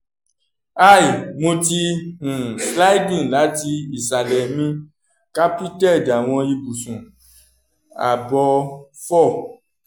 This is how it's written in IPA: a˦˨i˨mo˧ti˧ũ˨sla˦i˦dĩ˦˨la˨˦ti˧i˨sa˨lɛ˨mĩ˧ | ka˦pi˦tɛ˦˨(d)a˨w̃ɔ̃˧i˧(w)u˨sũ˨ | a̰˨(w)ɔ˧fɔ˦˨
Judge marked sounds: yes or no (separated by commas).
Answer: yes, no, no